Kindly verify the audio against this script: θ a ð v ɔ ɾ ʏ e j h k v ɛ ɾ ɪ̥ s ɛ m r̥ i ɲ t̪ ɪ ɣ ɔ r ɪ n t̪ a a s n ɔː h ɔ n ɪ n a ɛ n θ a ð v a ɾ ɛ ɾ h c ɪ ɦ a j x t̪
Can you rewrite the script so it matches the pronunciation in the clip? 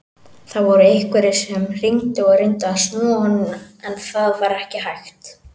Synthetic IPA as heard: θ a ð v ɔ ɾ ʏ e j h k v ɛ ɾ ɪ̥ s ɛ m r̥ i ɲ t̪ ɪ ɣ ɔ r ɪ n t̪ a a s n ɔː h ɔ n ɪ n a ɛ n θ a ð v a ɾ ɛ h c ɪ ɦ a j x t̪

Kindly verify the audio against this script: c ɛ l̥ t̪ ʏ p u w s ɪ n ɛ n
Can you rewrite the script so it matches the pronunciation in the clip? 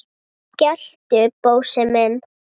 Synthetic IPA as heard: c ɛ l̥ t̪ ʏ p o w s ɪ m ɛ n

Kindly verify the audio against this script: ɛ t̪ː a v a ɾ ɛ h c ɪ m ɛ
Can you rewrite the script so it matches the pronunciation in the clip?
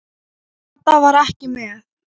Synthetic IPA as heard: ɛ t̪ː a v a ɾ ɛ h c ɪ m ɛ

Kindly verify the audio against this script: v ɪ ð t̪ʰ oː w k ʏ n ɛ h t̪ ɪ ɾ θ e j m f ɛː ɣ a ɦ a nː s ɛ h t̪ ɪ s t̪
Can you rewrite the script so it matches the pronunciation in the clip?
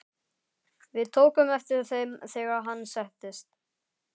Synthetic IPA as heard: v ɪ ð t̪ʰ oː w k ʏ m ɛ f t̪ ɪ ɾ θ e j m θ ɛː ɣ a ɦ a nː s ɛ h t̪ ɪ s t̪

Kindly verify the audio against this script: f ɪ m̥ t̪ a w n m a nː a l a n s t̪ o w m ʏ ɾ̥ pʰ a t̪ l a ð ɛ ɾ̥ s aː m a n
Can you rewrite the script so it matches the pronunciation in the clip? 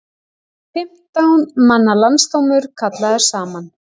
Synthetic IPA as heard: f ɪ m̥ t̪ a w n m a nː a l a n s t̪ o w m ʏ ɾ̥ kʰ a t̪ l a ð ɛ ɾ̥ s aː m a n

